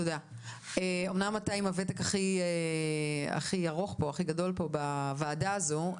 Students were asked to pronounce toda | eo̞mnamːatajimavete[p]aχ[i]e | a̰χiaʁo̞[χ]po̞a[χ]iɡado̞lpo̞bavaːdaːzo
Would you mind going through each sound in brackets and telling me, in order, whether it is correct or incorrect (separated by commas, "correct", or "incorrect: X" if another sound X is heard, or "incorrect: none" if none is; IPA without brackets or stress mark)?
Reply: incorrect: k, correct, correct, correct